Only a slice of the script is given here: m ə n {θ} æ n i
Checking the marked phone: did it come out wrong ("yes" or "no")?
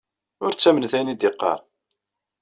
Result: no